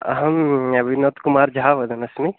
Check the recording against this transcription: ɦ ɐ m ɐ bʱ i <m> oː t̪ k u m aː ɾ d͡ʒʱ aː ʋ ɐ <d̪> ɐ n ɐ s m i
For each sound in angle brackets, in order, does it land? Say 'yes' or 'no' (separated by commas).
no, yes